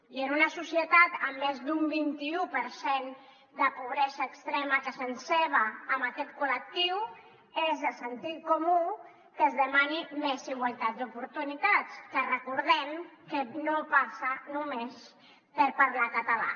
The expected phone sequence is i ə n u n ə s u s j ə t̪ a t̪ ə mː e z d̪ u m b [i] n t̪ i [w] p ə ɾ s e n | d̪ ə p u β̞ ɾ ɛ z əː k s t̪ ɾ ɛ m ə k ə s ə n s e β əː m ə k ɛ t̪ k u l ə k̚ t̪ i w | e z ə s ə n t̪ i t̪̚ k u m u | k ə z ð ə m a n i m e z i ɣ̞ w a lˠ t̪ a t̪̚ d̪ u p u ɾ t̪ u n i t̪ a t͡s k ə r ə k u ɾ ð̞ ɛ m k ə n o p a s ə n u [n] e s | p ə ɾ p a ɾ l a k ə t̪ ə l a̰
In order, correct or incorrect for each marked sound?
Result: correct, incorrect, incorrect

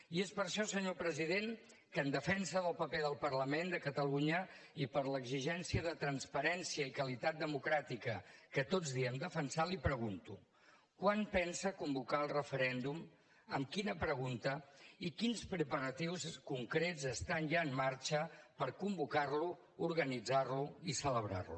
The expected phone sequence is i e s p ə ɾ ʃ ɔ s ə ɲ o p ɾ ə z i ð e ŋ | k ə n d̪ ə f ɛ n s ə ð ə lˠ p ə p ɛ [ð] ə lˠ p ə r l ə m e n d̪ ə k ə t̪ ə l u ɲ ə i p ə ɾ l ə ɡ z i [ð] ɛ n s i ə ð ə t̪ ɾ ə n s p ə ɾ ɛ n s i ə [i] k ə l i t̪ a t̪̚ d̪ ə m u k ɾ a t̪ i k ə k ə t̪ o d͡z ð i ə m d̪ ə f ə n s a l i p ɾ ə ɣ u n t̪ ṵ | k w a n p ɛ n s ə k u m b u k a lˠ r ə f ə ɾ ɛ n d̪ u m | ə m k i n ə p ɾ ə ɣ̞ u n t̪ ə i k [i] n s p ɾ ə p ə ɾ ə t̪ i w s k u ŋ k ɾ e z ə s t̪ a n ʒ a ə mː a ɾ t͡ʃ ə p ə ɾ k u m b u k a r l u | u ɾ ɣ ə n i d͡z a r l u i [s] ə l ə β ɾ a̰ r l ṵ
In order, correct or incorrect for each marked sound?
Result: correct, incorrect, correct, correct, correct

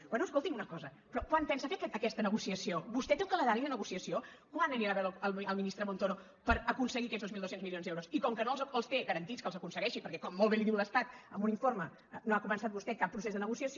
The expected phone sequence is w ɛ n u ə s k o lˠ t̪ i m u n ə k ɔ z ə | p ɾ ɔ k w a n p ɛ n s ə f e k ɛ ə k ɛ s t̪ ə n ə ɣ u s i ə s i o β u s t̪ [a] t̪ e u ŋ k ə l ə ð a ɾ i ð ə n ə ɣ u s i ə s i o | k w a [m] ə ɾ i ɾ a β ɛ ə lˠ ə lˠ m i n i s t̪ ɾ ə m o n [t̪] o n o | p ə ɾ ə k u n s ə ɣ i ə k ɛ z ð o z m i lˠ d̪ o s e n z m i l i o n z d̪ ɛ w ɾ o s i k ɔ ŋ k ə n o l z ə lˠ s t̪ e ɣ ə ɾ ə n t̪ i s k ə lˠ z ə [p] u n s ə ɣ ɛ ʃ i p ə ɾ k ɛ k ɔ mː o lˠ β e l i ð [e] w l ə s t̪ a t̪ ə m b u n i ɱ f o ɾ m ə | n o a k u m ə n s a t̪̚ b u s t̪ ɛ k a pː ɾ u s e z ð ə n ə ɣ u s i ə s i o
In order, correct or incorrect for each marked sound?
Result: incorrect, incorrect, correct, incorrect, incorrect

